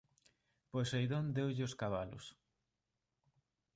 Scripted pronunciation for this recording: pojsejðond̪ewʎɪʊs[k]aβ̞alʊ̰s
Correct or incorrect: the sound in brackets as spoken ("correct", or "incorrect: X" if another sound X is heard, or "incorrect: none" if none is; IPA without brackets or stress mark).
correct